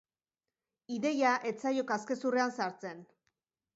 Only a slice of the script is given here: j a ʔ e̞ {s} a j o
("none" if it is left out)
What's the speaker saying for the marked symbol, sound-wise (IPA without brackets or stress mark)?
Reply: t͡s